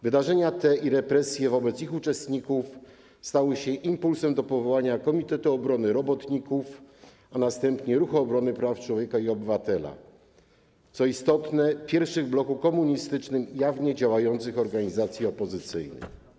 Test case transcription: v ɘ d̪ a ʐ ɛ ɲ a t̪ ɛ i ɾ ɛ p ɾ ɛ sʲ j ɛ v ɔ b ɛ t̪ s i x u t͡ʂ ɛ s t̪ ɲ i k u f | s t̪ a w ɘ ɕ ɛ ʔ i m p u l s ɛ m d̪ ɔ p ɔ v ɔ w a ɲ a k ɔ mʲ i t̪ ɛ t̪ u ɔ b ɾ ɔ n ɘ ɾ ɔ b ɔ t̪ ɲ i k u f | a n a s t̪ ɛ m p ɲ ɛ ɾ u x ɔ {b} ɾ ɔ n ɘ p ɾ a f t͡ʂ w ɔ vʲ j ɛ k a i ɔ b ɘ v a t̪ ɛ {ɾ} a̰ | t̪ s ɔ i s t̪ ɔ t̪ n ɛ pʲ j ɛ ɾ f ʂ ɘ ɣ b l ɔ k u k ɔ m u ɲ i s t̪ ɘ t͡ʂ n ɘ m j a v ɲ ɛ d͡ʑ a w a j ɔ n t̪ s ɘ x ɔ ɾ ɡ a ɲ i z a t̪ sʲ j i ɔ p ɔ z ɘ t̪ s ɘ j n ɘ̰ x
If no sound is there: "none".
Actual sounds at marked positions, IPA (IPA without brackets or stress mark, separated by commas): b, l